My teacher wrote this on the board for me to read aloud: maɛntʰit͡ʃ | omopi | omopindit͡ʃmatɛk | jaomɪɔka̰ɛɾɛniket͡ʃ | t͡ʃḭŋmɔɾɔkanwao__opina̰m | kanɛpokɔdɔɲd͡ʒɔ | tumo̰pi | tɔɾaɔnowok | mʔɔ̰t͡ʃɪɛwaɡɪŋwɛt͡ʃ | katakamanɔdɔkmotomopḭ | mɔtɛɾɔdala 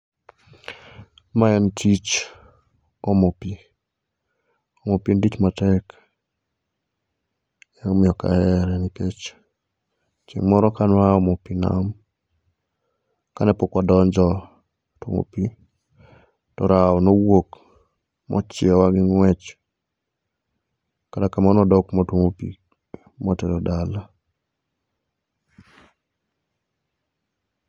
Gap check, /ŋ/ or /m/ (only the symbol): m